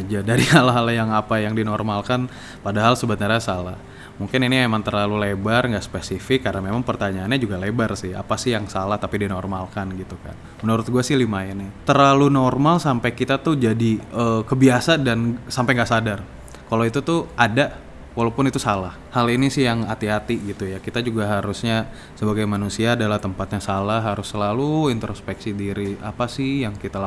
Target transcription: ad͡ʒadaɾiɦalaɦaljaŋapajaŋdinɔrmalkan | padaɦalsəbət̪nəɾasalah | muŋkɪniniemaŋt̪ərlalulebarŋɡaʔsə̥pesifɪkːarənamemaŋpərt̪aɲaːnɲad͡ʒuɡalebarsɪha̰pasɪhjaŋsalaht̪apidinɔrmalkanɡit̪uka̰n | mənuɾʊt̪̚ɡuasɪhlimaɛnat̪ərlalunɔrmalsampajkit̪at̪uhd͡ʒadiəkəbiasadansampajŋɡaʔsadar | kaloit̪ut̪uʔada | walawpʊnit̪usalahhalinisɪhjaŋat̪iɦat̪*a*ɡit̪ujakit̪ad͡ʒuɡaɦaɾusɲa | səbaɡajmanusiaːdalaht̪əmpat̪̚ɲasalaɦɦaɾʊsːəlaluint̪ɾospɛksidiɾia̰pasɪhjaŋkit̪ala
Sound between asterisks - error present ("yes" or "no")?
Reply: yes